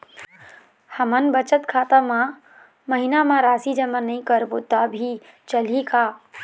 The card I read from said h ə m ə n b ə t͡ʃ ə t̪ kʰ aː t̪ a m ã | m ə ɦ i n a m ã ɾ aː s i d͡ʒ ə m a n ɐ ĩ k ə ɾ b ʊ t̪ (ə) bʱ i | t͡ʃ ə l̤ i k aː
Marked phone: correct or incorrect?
incorrect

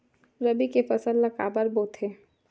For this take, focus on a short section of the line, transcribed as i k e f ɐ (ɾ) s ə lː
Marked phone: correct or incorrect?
incorrect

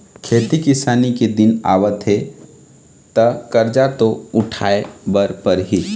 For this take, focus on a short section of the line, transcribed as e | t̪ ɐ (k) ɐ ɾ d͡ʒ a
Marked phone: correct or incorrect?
correct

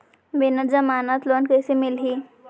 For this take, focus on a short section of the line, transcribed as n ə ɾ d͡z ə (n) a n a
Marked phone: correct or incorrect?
incorrect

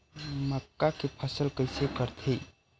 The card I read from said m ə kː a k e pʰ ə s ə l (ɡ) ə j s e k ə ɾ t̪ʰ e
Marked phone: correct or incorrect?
incorrect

